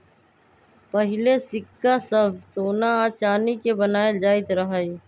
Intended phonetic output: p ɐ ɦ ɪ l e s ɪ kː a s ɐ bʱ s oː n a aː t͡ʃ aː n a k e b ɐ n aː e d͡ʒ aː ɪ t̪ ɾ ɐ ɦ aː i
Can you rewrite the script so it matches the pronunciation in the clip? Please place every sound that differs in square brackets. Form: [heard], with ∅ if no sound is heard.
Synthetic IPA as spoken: p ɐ ɦ ɪ l e s ɪ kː a s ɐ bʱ s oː n a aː t͡ʃ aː n [i] k e b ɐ n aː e d͡ʒ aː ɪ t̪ ɾ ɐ ɦ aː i